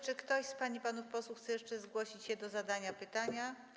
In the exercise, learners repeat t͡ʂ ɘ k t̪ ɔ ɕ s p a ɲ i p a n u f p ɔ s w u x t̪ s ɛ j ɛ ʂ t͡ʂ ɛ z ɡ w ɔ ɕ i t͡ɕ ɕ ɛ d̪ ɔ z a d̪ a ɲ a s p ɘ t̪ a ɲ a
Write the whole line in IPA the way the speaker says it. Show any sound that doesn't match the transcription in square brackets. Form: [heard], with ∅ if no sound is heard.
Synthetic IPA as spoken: t͡ʂ ɘ k t̪ ɔ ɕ s p a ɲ i p a n u f p ɔ s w u x t̪ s ɛ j ɛ ʂ t͡ʂ ɛ z ɡ w ɔ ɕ i t͡ɕ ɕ ɛ d̪ ɔ z a d̪ a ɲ a [∅] p ɘ t̪ a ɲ a